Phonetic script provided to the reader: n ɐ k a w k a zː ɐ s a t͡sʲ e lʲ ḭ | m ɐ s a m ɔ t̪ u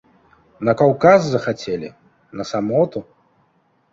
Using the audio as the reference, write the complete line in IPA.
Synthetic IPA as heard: n ɐ k a w k a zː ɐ x a t͡sʲ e lʲ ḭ | n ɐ s a m ɔ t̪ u